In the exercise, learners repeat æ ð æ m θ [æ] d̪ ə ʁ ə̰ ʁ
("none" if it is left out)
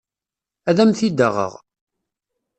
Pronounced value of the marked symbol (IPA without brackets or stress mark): i